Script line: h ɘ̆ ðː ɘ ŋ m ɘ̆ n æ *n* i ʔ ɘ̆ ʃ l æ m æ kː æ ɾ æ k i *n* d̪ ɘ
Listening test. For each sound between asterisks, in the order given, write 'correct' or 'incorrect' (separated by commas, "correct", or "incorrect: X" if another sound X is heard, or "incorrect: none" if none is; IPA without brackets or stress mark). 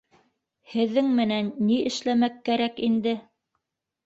incorrect: nː, correct